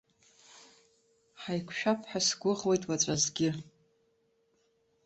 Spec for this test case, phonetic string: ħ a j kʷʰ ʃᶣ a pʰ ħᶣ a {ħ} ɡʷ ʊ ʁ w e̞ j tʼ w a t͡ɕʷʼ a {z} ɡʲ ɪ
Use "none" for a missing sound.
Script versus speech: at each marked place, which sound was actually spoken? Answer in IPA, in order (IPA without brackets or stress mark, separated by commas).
s, z